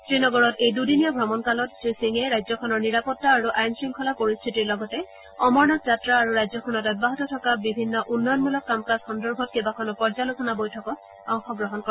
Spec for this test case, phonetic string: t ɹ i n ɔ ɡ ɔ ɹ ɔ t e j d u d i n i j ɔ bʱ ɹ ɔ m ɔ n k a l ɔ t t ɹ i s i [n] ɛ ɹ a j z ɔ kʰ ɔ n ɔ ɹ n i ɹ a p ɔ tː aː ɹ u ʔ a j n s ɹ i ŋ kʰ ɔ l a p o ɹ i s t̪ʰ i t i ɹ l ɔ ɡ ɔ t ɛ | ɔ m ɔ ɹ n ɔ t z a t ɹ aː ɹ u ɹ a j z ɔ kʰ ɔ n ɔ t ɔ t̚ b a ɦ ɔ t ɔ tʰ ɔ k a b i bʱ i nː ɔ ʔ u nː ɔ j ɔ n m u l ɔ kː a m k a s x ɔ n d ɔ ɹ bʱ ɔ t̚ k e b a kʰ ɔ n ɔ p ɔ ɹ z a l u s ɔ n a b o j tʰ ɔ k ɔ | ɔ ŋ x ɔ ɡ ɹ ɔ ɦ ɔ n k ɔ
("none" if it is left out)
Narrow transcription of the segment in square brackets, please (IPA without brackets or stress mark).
ŋ